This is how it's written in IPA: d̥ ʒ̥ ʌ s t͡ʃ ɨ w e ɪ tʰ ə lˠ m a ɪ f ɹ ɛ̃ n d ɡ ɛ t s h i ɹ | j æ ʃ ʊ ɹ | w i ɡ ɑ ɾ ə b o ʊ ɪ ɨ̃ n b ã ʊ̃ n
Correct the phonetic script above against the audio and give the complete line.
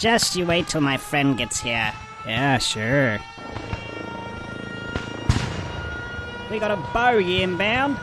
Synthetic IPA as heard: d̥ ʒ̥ ʌ s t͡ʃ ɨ w e ɪ tʰ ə lˠ m a ɪ f ɹ ɛ̃ n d ɡ ɛ t s h i ɹ | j æ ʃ ʊ ɹ | w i ɡ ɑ ɾ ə b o ʊ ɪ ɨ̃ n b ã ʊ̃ n